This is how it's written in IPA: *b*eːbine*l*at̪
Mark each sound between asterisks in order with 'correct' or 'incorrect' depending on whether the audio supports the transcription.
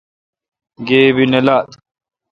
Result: incorrect: ɡ, correct

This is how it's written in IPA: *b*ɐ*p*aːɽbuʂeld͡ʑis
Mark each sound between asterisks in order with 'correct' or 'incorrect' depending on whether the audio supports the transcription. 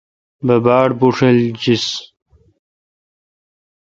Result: correct, incorrect: b

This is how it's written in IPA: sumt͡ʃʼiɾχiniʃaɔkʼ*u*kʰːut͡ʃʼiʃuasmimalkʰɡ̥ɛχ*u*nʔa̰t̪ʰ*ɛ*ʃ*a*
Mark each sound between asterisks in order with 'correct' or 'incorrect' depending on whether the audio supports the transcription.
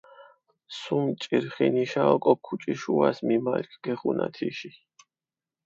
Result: incorrect: ɔ, correct, incorrect: i, incorrect: i

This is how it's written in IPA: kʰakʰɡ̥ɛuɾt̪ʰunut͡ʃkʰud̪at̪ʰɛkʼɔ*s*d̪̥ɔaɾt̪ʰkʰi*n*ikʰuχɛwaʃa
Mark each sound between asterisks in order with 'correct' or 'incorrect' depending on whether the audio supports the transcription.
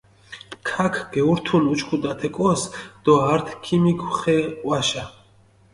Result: correct, incorrect: m

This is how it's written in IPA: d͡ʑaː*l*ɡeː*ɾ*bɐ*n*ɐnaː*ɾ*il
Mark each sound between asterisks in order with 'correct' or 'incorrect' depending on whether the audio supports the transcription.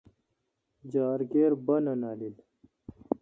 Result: incorrect: ɾ, correct, correct, incorrect: l

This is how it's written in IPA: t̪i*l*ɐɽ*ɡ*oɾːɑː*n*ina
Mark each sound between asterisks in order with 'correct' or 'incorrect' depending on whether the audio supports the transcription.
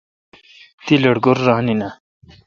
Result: correct, correct, correct

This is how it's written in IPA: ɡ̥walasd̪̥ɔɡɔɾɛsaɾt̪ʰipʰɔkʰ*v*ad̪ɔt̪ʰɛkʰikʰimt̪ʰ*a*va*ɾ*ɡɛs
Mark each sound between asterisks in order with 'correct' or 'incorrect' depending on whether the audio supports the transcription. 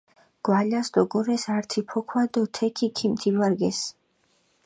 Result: incorrect: w, incorrect: i, correct

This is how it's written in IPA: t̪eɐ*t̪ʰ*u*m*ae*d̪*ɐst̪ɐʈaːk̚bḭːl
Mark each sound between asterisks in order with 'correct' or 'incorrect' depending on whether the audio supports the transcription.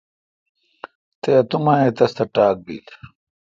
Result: incorrect: t̪, correct, incorrect: t̪

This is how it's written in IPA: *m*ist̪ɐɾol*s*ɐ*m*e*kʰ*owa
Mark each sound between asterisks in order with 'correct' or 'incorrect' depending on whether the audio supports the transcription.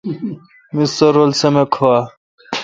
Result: correct, correct, correct, correct

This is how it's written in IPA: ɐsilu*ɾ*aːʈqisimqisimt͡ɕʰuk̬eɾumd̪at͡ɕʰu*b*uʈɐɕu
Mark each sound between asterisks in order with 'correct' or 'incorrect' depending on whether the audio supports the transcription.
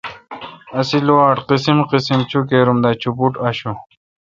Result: incorrect: none, incorrect: p

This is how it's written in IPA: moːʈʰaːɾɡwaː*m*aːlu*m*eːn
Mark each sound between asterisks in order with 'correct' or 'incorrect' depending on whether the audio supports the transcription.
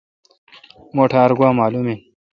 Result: correct, correct

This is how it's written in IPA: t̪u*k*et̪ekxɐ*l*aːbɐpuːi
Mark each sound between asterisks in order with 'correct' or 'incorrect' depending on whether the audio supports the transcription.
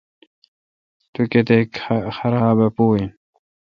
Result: correct, incorrect: ɾ

